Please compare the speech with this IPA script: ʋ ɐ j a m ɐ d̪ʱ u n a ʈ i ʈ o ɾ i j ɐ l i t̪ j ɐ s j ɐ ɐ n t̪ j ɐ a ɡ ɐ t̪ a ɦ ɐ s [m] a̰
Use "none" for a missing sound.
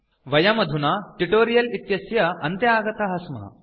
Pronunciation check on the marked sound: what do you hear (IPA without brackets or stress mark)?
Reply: m